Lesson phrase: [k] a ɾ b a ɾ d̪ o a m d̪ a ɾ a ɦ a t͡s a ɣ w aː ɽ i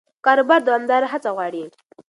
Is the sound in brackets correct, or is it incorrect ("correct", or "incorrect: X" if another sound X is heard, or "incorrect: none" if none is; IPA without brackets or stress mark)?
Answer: correct